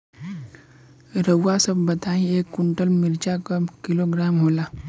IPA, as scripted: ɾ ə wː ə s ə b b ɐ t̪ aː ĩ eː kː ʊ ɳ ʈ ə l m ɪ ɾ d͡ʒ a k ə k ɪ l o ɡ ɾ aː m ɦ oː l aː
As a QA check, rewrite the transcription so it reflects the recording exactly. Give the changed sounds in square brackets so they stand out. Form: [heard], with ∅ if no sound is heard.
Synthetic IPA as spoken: ɾ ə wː [a] s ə b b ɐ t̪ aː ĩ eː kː ʊ ɳ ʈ ə l m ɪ ɾ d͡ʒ a k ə k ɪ l o ɡ ɾ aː m ɦ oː l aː

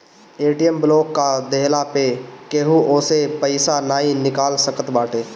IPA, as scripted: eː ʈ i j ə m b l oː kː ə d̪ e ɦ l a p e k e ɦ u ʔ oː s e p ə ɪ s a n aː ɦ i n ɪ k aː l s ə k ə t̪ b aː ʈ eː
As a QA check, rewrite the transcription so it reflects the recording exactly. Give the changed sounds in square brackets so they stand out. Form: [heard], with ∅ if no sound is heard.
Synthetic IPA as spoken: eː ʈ i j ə m b l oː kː [a] d̪ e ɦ l a p e k e ɦ u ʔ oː s e p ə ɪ s a n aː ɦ i n ɪ k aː l s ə k ə t̪ b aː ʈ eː

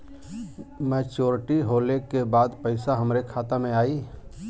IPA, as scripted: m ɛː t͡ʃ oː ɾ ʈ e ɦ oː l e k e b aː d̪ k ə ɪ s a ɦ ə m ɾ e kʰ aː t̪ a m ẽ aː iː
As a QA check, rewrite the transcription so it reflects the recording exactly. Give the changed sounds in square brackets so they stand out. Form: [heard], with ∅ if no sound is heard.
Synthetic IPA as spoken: m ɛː t͡ʃ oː ɾ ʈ [i] ɦ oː l e k e b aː d̪ [p] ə ɪ s a ɦ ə m ɾ e kʰ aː t̪ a m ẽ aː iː

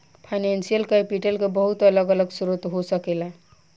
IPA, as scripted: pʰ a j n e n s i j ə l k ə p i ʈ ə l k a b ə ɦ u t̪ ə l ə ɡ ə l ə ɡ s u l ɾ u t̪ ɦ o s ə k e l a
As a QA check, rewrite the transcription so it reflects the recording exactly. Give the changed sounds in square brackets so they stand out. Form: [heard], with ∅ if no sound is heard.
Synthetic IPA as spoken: pʰ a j n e n s i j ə l k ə p i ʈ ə l k [e] b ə ɦ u t̪ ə l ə ɡ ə l ə ɡ s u [∅] ɾ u t̪ ɦ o s ə k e l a

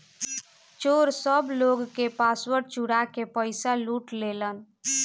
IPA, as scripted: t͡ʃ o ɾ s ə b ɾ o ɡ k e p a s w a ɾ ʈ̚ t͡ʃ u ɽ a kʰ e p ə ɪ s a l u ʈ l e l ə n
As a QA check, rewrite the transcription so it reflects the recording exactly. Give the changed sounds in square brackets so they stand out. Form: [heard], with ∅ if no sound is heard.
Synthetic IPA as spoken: t͡ʃ o ɾ s ə b [l] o ɡ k e p a s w [ə] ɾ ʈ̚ t͡ʃ u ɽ a [k] e p ə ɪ s a l u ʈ l e l ə n

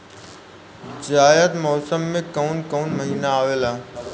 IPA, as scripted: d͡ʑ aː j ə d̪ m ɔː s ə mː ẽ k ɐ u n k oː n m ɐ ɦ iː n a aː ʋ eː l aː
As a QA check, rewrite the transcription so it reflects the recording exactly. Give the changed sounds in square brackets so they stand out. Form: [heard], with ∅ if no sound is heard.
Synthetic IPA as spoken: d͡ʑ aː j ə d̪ m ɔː s ə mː ẽ k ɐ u n k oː n m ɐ ɦ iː n a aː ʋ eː l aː

